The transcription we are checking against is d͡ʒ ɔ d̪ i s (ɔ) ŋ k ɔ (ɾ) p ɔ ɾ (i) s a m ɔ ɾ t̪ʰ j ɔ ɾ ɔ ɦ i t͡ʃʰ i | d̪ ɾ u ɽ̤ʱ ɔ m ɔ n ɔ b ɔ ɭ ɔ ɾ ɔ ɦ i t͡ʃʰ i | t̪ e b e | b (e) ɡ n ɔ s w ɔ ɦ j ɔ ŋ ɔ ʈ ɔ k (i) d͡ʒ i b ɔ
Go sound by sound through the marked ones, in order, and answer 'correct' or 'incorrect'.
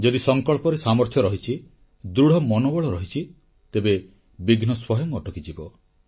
correct, incorrect, incorrect, incorrect, correct

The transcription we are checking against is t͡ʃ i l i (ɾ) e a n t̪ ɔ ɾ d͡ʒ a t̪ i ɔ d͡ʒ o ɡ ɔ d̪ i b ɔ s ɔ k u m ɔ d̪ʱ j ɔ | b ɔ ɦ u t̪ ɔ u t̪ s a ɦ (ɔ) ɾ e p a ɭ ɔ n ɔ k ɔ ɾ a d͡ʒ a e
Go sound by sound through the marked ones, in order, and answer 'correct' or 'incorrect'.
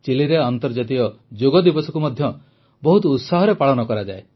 correct, correct

